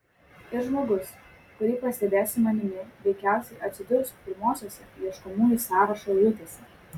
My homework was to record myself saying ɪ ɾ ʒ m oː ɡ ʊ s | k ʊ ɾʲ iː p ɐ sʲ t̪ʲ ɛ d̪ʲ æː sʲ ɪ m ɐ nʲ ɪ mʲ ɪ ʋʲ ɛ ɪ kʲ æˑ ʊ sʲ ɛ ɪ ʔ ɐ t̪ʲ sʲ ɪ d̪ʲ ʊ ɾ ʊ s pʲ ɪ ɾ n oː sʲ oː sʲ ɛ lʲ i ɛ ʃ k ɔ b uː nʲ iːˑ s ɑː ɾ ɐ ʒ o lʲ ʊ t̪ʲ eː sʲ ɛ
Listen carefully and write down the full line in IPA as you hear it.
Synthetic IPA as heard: ɪ ɾ ʒ m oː ɡ ʊ s | k ʊ ɾʲ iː p ɐ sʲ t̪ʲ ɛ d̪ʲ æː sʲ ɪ m ɐ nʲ ɪ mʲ ɪ ʋʲ ɛ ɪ kʲ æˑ ʊ sʲ ɛ ɪ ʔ ɐ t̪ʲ sʲ ɪ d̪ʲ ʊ ɾ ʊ s pʲ ɪ ɾ m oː sʲ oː sʲ ɛ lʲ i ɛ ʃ k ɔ m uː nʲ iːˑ s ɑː ɾ ɐ ʃ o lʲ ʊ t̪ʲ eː sʲ ɛ